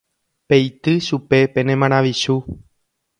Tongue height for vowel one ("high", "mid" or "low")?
mid